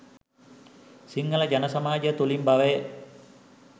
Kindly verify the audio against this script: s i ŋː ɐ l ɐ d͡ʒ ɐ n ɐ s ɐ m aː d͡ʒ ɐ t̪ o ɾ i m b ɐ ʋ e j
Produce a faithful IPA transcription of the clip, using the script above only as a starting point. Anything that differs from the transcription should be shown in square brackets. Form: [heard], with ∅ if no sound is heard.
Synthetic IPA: s i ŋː ɐ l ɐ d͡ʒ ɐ n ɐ s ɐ m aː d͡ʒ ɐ t̪ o [l] i m b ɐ ʋ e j